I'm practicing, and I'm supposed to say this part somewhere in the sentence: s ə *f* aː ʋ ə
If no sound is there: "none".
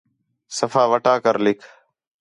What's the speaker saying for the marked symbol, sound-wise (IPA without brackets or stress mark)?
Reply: f